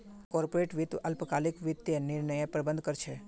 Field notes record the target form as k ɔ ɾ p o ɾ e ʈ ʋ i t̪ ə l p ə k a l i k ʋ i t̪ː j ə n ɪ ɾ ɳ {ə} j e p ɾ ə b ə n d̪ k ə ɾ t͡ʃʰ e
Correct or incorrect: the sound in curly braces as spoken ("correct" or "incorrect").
correct